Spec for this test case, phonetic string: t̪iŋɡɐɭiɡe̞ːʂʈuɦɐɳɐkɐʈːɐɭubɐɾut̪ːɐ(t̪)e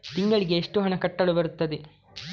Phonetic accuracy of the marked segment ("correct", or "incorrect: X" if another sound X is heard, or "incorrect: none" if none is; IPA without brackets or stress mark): incorrect: d̪